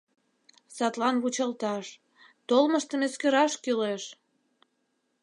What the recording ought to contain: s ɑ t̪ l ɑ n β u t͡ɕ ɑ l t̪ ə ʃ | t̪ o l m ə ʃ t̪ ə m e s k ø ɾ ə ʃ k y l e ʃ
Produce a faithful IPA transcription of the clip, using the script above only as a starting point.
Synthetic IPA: s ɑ t̪ l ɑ n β u t͡ɕ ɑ l t̪ ɑ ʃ | t̪ o l m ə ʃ t̪ ə m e s k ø ɾ ɑ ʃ k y l e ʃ